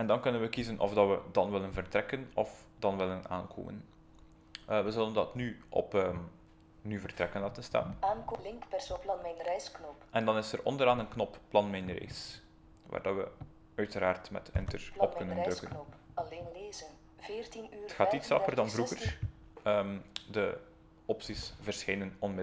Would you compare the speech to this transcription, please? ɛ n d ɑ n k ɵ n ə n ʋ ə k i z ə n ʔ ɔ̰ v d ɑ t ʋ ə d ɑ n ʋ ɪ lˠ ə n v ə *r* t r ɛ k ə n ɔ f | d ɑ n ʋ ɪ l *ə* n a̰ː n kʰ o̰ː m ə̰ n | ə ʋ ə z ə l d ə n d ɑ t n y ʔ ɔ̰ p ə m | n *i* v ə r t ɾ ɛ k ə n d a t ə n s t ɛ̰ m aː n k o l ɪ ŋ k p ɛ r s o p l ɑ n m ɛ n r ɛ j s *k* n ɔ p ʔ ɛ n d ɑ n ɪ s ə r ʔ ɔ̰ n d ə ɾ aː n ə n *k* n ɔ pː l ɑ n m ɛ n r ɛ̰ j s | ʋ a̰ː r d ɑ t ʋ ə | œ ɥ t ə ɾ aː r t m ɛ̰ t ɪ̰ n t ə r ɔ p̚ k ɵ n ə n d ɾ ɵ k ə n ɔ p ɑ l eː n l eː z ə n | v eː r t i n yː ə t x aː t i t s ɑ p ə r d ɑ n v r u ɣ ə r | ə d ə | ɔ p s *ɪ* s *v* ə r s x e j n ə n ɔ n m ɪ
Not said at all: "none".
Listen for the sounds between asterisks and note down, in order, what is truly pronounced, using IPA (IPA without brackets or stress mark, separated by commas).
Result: r, ə, y, k, k, i, v